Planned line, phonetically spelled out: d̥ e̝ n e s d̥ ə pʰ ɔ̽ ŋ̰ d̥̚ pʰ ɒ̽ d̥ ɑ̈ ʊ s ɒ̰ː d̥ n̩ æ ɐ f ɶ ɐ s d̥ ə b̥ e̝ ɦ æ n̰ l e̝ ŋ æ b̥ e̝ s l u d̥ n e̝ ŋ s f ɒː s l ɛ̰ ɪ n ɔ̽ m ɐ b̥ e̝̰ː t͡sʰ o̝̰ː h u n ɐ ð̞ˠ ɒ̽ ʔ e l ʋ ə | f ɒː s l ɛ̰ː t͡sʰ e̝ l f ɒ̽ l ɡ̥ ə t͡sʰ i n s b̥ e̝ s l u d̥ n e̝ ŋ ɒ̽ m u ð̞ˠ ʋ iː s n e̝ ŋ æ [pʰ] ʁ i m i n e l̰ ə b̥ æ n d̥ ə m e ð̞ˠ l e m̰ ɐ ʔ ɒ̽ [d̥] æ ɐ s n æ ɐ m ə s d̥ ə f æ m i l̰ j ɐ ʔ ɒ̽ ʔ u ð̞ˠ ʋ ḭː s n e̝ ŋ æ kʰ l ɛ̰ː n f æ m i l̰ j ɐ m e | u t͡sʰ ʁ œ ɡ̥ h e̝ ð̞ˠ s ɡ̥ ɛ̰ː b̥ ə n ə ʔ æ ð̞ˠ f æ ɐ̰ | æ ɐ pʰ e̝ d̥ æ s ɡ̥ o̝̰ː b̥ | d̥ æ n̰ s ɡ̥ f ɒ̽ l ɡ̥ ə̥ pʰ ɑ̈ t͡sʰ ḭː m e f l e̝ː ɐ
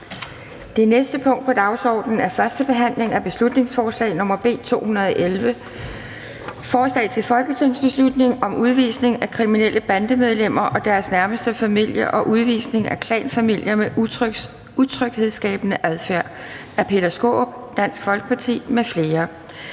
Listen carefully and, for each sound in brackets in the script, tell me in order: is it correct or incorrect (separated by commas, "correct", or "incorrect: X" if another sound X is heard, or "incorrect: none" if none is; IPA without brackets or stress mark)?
incorrect: kʰ, correct